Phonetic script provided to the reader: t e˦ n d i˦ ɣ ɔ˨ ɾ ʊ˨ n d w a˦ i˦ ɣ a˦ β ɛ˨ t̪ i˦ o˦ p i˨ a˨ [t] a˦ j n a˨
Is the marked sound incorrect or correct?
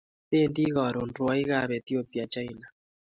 incorrect